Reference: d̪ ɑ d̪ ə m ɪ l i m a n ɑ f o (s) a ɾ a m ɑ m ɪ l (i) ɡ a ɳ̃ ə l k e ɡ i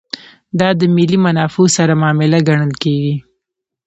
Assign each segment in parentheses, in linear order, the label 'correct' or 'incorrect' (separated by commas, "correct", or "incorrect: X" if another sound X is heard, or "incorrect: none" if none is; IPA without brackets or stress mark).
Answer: correct, incorrect: a